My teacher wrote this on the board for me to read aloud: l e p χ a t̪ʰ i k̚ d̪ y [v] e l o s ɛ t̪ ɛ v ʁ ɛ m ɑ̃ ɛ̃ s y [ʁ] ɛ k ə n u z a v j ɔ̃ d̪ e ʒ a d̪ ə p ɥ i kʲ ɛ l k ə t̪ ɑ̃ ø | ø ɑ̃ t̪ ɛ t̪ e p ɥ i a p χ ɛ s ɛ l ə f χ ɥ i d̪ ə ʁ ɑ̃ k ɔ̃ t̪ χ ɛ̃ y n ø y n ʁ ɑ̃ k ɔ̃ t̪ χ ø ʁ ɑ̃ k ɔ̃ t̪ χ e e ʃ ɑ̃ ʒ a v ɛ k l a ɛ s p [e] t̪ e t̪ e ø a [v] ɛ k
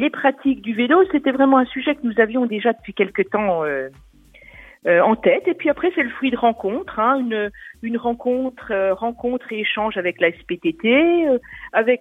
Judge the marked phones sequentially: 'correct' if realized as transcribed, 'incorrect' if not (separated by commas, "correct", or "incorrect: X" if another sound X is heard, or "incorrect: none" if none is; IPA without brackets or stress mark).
correct, incorrect: ʒ, correct, correct